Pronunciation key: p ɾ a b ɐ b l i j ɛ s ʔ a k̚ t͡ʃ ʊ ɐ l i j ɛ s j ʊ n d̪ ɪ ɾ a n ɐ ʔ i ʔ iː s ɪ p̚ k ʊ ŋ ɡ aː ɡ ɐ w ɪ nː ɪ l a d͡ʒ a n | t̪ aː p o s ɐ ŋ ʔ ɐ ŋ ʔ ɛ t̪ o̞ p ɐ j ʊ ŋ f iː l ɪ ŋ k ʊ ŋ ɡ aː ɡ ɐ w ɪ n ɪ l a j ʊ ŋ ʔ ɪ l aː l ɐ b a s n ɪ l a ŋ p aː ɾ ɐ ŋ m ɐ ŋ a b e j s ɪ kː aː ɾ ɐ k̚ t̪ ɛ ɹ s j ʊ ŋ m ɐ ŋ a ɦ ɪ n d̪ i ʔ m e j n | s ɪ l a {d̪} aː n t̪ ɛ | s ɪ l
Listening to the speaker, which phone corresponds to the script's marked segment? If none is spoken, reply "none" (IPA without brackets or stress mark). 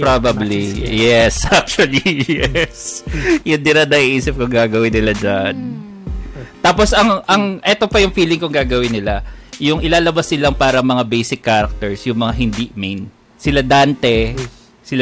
d̪